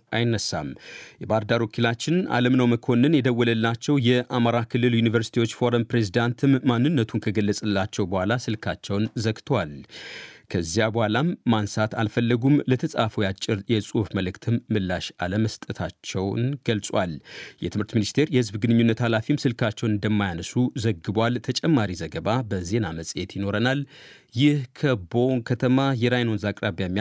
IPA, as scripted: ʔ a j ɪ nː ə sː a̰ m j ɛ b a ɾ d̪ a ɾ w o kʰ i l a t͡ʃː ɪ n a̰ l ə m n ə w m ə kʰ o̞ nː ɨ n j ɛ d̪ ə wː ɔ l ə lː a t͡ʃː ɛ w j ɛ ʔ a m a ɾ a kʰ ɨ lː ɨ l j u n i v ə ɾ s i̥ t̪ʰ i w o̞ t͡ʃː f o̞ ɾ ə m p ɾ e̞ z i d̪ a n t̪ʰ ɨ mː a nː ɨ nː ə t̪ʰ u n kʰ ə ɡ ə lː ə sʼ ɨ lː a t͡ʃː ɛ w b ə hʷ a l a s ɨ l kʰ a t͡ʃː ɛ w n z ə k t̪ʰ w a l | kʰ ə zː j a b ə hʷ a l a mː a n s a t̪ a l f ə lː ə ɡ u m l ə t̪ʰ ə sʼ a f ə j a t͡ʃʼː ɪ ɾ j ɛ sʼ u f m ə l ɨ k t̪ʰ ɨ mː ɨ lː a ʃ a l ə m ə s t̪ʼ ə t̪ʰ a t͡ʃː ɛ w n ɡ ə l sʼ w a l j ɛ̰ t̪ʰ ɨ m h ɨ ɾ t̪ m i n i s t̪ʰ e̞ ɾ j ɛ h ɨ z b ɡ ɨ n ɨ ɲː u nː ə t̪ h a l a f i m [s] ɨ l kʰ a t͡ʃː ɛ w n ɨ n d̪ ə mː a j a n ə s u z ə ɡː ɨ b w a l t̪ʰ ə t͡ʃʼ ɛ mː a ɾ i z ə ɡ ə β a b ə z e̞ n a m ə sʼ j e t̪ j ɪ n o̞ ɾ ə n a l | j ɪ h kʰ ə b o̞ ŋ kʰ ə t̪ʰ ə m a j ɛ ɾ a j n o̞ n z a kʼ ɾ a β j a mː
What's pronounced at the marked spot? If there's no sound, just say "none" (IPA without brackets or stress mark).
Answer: s